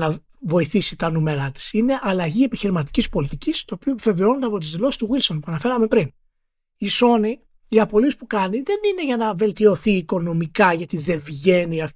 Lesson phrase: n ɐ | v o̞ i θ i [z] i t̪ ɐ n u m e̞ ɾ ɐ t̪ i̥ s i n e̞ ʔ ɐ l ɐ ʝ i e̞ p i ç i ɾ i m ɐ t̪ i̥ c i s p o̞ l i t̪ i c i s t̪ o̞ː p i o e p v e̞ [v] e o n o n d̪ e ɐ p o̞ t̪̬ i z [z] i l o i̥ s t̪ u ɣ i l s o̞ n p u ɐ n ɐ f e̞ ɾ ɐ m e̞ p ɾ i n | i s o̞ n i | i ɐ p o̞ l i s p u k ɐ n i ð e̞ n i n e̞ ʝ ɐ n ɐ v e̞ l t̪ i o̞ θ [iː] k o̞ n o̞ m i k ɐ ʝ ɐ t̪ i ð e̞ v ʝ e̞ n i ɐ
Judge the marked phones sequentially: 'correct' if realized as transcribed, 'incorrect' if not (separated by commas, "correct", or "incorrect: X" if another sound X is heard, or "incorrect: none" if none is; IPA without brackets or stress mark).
incorrect: s, correct, incorrect: ð, correct